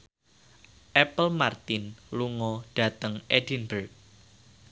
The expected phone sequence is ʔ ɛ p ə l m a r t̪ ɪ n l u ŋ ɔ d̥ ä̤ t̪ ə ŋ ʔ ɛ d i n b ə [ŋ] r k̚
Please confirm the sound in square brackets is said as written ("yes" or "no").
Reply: no